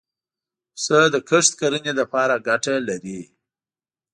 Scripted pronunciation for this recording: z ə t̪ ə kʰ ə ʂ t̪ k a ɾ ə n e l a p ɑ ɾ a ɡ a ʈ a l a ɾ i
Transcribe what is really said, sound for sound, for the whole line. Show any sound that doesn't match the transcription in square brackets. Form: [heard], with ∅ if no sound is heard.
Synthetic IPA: [s] ə [d̪] ə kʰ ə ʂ t̪ k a ɾ ə n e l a p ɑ ɾ a ɡ a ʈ a l a ɾ i